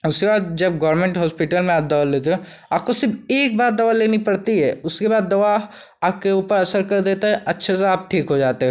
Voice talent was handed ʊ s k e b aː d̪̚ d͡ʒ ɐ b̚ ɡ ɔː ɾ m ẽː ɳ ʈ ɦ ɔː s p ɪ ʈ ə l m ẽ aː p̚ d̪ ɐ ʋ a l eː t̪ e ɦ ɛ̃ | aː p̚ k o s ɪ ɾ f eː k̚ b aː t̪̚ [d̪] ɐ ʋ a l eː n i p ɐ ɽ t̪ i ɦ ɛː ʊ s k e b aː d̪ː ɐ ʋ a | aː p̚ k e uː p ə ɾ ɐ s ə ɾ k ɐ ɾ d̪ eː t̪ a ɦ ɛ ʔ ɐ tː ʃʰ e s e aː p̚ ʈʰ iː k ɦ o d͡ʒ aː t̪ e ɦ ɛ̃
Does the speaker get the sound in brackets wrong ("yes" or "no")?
no